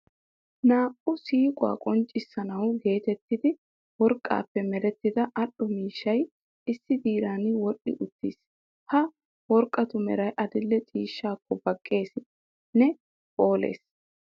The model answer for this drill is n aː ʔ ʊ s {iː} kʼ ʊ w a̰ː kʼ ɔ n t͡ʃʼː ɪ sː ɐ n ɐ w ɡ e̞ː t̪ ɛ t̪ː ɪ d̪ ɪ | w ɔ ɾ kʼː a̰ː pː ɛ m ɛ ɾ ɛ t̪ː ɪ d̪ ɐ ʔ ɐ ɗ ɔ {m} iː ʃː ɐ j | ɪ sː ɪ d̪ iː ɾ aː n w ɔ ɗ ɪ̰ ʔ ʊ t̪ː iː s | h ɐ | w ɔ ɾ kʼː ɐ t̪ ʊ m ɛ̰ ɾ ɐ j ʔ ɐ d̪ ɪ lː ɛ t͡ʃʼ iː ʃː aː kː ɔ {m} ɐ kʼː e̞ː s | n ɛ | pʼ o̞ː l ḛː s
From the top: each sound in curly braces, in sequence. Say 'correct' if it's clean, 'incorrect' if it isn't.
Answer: correct, correct, incorrect: b

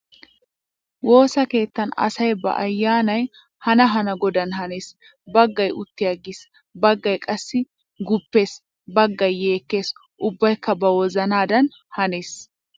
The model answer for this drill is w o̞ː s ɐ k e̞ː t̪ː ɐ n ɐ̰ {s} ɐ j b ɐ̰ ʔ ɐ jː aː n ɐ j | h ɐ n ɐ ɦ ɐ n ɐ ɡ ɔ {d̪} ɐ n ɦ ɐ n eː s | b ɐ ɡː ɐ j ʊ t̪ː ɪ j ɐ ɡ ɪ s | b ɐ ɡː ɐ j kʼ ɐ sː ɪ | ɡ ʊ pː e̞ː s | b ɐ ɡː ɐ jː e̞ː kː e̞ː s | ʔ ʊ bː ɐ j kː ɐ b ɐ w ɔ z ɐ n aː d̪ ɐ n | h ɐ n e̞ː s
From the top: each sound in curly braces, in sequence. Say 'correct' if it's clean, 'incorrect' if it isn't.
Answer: correct, correct

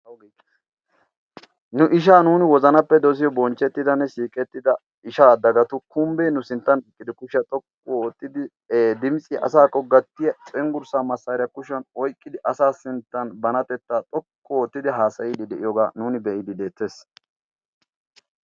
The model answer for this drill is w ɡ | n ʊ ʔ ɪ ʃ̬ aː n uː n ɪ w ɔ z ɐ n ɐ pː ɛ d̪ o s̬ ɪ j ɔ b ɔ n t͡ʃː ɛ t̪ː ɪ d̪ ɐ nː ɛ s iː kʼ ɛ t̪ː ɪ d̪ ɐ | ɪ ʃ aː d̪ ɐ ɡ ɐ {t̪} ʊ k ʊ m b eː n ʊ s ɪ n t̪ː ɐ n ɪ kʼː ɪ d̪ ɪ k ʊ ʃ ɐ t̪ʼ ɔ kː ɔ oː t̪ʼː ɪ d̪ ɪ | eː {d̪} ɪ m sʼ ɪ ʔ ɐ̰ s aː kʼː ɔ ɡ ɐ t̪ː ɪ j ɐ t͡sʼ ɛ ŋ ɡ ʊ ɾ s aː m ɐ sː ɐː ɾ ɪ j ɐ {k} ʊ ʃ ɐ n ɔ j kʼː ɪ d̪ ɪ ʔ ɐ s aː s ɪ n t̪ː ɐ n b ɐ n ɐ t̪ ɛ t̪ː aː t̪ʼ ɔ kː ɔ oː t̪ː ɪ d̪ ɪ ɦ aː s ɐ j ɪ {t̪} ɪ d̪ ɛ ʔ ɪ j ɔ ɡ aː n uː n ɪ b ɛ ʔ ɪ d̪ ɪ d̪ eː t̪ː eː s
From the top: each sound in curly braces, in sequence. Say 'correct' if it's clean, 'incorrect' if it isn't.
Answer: correct, correct, correct, incorrect: d̪

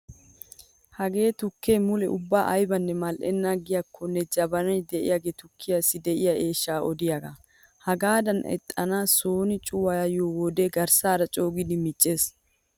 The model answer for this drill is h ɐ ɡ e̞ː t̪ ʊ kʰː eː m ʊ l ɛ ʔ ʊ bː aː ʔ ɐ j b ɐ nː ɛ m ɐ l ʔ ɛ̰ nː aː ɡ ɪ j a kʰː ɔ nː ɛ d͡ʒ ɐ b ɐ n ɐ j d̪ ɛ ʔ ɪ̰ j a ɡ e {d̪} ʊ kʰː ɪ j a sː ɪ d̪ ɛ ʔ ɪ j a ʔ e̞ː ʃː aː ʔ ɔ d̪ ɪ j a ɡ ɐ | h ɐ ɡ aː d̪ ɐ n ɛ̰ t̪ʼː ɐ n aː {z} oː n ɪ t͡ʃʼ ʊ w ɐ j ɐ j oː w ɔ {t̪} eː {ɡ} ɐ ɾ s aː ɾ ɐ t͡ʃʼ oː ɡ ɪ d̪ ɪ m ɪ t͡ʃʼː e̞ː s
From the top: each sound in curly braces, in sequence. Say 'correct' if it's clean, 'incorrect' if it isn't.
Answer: incorrect: t̪, incorrect: s, incorrect: d̪, correct

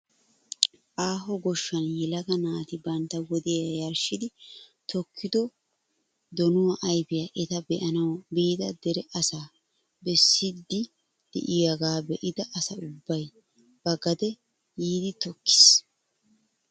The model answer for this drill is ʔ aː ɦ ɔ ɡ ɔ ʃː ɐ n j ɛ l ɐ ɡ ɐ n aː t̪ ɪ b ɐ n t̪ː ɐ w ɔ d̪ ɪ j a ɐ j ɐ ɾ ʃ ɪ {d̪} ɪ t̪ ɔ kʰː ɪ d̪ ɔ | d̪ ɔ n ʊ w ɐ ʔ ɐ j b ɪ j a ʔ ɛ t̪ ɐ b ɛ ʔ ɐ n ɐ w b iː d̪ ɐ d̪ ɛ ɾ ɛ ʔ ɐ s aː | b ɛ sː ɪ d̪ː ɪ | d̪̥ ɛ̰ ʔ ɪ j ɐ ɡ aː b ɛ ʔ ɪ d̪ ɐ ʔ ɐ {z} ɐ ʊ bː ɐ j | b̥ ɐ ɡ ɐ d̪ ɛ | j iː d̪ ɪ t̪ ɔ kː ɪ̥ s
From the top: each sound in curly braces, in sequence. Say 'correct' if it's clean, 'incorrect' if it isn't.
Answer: correct, incorrect: s

